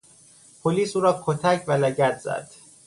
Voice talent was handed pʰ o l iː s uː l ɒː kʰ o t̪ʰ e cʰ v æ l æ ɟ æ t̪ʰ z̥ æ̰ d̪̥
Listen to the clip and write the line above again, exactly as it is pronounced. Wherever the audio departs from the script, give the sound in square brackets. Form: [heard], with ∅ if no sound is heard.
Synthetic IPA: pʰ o l iː s uː [ɾ] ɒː kʰ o t̪ʰ [æ] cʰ v æ l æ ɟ æ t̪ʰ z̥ æ̰ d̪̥